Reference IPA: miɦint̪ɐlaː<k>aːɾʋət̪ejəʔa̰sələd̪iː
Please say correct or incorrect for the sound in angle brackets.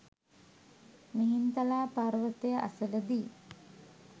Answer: incorrect